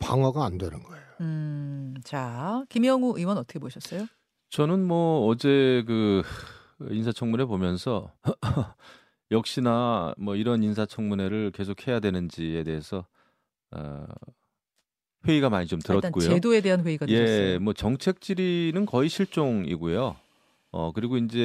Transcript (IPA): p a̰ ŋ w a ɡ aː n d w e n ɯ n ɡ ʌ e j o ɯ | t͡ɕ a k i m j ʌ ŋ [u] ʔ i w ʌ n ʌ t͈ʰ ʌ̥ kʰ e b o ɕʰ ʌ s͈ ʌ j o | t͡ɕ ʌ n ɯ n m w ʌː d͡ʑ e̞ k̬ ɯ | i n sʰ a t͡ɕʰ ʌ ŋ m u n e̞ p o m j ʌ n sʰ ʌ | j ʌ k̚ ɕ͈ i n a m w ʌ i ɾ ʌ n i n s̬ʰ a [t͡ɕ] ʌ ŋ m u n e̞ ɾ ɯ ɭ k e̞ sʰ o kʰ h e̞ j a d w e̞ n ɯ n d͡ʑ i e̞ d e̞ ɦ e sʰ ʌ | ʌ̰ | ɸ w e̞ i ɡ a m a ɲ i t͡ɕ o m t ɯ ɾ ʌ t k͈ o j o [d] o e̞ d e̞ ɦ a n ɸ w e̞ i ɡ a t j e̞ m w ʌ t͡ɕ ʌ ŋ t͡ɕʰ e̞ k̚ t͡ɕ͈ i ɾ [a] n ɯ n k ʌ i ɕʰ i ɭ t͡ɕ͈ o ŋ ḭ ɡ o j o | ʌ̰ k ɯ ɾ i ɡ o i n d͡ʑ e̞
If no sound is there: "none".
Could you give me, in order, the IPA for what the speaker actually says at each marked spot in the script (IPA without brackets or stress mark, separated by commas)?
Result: u, t͡ɕʰ, d, i